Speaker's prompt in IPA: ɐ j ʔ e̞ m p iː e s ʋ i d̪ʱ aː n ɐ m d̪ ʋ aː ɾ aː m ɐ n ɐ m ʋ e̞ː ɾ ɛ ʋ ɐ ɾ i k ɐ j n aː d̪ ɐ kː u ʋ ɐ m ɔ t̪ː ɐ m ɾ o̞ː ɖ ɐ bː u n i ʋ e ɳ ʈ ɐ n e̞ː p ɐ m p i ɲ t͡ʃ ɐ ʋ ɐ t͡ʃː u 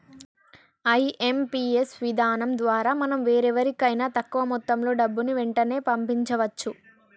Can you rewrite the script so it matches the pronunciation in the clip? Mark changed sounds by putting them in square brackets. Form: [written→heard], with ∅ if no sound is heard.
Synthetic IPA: ɐ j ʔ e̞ m p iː e s ʋ i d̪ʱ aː n ɐ m d̪ ʋ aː ɾ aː m ɐ n ɐ m ʋ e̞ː ɾ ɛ ʋ ɐ ɾ i k ɐ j n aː [d̪→t̪] ɐ kː u ʋ ɐ m ɔ t̪ː ɐ m [ɾ→l] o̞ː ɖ ɐ bː u n i ʋ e ɳ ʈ ɐ n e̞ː p ɐ m p i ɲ t͡ʃ ɐ ʋ ɐ t͡ʃː u